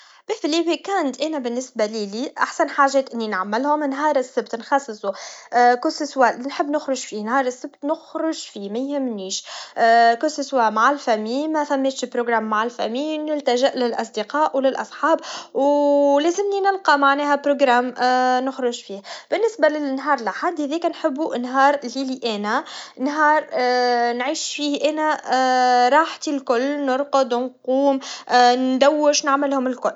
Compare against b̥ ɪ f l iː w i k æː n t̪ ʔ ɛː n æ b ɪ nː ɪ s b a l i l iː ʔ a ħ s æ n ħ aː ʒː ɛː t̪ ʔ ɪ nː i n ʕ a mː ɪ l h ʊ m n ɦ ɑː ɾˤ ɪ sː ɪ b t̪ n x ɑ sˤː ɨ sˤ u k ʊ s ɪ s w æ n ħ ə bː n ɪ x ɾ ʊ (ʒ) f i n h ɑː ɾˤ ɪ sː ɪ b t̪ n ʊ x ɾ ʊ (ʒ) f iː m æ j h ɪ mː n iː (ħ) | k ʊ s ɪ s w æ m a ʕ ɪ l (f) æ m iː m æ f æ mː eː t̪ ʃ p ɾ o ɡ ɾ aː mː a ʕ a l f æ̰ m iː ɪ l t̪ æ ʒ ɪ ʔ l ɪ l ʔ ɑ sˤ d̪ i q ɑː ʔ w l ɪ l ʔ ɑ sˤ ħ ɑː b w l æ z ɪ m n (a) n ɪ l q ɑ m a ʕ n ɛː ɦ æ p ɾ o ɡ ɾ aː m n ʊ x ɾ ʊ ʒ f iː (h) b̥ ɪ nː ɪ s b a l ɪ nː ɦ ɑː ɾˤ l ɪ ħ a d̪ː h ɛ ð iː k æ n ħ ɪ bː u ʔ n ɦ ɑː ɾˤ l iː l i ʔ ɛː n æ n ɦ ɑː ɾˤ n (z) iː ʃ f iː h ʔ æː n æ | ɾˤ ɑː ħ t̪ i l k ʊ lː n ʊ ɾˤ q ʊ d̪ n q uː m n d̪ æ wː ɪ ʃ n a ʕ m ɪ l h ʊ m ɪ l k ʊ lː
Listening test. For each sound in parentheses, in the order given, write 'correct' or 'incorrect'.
correct, correct, incorrect: ʃ, correct, incorrect: i, correct, incorrect: ʕ

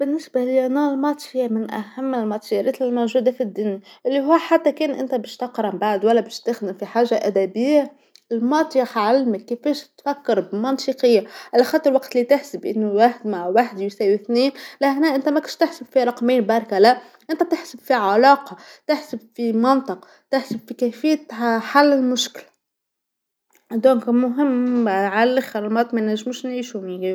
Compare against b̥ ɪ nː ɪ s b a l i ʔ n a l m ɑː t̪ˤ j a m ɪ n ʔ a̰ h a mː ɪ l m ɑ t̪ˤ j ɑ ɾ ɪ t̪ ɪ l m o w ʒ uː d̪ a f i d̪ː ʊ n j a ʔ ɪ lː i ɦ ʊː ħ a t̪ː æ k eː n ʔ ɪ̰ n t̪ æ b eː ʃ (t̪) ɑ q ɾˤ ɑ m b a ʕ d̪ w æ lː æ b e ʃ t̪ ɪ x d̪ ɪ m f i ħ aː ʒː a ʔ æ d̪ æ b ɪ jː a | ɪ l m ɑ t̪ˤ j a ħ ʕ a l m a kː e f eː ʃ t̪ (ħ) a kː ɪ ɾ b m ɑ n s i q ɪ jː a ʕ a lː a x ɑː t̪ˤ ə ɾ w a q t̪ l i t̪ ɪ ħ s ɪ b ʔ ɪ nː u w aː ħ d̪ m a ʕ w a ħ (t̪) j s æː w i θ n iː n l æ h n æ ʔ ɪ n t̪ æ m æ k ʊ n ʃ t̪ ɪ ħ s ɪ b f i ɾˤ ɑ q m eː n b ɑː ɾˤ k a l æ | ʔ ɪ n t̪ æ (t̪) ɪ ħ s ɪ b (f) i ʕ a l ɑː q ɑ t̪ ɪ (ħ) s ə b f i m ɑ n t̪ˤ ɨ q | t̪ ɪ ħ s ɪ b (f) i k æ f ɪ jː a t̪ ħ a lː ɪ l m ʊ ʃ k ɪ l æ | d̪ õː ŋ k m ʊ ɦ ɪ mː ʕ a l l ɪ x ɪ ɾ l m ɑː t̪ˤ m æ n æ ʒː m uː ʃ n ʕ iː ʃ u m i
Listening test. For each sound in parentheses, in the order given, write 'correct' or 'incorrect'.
correct, incorrect: f, incorrect: d̪, correct, correct, correct, correct

